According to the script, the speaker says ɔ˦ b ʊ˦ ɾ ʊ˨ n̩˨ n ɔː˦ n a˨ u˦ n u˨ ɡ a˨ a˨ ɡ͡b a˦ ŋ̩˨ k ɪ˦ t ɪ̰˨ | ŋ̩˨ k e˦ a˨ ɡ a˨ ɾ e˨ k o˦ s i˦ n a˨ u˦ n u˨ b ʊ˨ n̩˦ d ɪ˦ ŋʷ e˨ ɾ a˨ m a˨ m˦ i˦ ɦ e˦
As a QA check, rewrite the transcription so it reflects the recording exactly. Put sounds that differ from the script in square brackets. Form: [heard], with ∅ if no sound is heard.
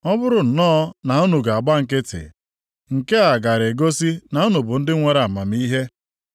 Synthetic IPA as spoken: ɔ˦ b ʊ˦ ɾ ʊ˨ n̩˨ n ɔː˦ n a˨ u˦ n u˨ ɡ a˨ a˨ ɡ͡b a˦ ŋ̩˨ k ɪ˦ t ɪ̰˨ | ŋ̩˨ k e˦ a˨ ɡ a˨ ɾ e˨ [ɡ] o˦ s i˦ n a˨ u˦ n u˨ b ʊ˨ n̩˦ d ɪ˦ ŋʷ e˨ ɾ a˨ m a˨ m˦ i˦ ɦ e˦